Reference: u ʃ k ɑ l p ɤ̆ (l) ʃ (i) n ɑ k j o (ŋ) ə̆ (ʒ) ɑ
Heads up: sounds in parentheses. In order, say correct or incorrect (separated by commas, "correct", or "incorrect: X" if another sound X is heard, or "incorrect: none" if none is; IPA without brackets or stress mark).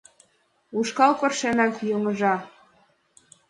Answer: incorrect: r, incorrect: e, correct, correct